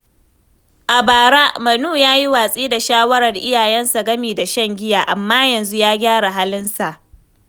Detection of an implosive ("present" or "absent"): absent